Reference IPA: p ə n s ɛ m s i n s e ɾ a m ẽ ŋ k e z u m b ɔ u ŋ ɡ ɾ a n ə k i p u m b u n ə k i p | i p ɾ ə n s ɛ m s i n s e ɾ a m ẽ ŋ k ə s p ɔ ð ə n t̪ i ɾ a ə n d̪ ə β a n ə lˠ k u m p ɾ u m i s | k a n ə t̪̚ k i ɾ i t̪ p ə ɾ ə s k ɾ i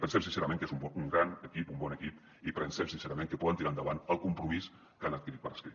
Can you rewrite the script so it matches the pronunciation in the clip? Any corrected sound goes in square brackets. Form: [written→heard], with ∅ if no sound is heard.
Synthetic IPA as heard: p ə n s ɛ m s i n s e ɾ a m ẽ ŋ k e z u m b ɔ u ŋ ɡ ɾ a n ə k i p u m b [u→ɔ] n ə k i p | i p ɾ ə n s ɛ m s i n s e ɾ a m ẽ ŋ k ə [s→∅] p ɔ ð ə n t̪ i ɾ a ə n d̪ ə β a n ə lˠ k u m p ɾ u m i s | k a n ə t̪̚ k i ɾ i t̪ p ə ɾ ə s k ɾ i